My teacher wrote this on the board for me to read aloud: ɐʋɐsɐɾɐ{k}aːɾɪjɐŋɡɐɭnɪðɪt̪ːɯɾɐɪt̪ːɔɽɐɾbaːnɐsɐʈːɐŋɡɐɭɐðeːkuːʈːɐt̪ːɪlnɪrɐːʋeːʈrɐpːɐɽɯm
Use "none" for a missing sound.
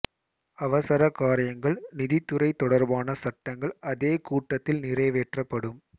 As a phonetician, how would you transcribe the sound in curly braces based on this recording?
k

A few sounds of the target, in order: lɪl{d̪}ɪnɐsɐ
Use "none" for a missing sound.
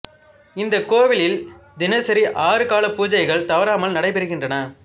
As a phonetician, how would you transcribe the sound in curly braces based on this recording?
d̪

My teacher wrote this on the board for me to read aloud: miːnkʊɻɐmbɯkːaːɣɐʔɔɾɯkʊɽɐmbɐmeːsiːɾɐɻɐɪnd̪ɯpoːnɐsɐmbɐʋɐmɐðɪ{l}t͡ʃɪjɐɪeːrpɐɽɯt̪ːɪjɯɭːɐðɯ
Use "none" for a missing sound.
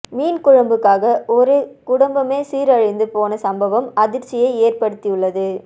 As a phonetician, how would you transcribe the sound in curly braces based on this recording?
ɾ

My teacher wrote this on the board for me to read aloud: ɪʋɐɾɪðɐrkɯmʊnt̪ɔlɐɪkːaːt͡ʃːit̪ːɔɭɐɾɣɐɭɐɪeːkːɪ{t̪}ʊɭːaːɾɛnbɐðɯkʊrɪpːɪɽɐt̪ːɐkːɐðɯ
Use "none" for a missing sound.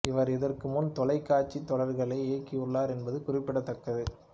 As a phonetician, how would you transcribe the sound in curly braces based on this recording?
none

